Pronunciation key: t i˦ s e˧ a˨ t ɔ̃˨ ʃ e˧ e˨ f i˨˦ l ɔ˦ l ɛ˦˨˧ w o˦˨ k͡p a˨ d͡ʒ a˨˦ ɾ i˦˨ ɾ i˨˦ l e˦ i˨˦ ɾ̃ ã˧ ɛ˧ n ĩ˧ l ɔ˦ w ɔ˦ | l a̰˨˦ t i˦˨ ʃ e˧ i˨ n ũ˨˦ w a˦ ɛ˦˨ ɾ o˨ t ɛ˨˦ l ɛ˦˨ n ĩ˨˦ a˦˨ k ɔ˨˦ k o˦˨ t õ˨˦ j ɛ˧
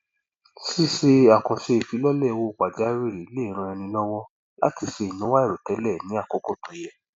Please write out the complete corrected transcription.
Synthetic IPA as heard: s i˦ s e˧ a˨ k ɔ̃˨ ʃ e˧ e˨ f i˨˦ l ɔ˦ l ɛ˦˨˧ w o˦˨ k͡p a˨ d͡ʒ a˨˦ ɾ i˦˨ ɾ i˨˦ l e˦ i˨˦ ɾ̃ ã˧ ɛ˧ n ĩ˧ l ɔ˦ w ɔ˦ | l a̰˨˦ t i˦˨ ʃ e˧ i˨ n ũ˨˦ w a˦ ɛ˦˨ ɾ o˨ t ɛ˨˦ l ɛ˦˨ n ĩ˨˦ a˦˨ k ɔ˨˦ k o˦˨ t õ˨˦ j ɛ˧